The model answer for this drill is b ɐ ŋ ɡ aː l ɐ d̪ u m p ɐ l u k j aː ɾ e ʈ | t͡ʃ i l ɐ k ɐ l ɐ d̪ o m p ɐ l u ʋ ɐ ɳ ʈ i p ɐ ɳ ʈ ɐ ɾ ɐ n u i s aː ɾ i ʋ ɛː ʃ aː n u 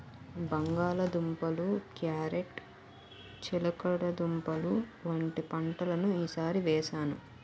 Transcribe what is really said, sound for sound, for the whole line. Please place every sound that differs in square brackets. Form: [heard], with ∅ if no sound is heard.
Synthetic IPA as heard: b ɐ ŋ ɡ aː l ɐ d̪ u m p ɐ l u k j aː ɾ e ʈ | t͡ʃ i l ɐ k ɐ [ɽ] ɐ d̪ [u] m p ɐ l u ʋ ɐ ɳ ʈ i p ɐ ɳ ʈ ɐ [l] ɐ n u [iː] s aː ɾ i ʋ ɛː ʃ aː n u